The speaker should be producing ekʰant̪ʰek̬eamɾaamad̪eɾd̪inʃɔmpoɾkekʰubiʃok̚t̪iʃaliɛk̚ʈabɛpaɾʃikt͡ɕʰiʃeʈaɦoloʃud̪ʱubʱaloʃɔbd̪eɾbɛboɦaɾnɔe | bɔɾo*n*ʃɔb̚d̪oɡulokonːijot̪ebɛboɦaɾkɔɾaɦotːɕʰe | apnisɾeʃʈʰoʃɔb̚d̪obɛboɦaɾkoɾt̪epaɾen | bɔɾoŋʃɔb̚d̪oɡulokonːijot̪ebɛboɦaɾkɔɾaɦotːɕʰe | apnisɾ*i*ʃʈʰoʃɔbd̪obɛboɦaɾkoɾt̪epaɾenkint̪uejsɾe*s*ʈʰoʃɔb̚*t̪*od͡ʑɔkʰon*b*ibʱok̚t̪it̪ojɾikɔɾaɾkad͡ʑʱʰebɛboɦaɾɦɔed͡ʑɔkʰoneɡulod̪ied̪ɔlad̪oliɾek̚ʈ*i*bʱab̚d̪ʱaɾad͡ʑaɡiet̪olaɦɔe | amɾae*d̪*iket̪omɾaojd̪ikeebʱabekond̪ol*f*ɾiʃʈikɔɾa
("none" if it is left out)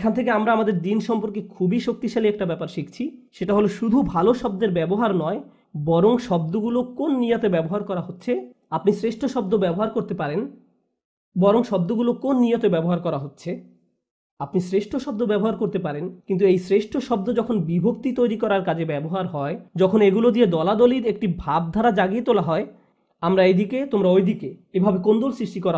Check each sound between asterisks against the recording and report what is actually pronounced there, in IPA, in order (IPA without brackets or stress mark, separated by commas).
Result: ŋ, e, ʃ, d̪, b, i, d̪, s